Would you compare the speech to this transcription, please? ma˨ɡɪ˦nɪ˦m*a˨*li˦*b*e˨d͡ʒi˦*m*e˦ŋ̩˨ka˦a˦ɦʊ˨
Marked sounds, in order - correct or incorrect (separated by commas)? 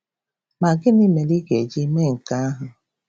incorrect, incorrect, correct